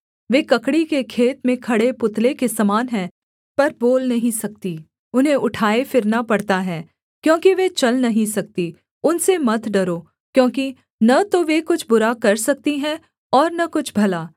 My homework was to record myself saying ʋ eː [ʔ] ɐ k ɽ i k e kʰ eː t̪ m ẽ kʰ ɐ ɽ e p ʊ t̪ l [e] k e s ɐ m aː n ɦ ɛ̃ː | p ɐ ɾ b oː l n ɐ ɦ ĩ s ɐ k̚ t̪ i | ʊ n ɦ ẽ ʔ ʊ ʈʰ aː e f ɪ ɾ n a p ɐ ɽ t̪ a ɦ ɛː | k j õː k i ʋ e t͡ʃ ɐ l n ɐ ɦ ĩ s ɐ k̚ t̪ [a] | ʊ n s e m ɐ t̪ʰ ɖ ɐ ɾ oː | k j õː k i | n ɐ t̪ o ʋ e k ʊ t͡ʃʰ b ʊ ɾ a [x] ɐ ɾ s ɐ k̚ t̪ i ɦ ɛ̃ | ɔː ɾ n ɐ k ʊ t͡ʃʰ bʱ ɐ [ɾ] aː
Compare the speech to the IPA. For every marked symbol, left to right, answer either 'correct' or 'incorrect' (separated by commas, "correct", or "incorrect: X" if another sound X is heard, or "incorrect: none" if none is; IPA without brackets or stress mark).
incorrect: k, correct, incorrect: i, incorrect: k, incorrect: l